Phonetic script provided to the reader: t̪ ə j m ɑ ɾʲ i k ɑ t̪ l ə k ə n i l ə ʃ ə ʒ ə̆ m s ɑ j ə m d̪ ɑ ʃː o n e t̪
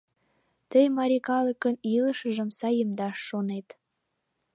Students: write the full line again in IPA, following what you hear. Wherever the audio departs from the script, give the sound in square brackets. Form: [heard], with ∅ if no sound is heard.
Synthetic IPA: t̪ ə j m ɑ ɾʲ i k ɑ [∅] l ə k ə n i l ə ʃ ə ʒ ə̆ m s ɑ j ə m d̪ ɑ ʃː o n e t̪